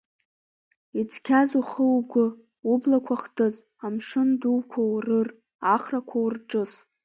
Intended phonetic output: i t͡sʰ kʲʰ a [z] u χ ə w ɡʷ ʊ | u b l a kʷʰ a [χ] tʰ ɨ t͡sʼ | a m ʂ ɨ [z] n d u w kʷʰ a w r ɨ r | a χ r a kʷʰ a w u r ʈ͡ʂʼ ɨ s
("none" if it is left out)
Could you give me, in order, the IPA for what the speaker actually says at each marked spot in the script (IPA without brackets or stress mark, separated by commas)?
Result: z, χ, none